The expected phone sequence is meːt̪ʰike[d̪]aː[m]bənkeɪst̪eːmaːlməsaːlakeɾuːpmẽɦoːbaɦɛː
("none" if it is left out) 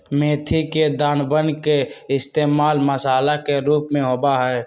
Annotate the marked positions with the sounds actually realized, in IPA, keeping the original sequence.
d̪, n

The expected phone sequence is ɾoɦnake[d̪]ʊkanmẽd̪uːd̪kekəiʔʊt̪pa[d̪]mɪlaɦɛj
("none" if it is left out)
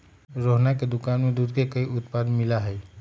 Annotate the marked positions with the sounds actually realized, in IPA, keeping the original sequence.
d̪, d̪

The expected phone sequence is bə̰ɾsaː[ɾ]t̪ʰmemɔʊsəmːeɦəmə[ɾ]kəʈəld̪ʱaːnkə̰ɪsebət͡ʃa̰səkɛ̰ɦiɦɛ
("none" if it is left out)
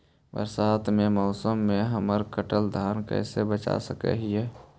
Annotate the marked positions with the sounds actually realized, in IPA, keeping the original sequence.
none, ɾ

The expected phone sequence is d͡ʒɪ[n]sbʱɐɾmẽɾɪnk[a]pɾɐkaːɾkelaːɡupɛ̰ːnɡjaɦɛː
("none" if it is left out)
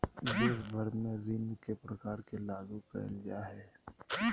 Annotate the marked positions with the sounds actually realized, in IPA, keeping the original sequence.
none, e

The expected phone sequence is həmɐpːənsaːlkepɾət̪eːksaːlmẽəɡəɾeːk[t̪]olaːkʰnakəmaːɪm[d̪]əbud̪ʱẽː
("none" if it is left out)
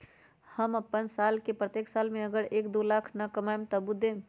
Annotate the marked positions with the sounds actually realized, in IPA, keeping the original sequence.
d̪, t̪

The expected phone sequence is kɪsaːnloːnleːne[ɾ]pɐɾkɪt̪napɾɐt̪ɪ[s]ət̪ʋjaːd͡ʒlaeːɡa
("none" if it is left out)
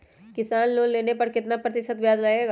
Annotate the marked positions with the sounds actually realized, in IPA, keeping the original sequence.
none, ʃ

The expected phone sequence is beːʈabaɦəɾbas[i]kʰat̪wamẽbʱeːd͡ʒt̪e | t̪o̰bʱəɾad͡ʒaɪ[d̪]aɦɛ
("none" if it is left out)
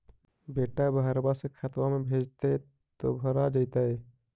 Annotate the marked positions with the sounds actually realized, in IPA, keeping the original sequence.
e, t̪

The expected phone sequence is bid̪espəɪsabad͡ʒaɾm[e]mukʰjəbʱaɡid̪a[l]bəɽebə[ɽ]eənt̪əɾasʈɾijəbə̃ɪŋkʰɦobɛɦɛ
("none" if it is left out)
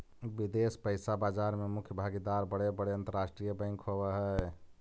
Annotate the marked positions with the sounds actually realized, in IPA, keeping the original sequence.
e, ɾ, ɽ

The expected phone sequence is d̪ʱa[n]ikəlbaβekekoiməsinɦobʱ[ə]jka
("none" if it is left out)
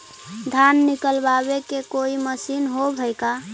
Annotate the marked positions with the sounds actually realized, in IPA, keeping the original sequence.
nː, ə

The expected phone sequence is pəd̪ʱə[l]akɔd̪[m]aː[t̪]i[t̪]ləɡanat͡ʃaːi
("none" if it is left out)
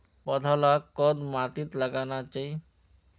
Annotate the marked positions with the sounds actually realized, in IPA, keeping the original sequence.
l, m, t̪, t̪

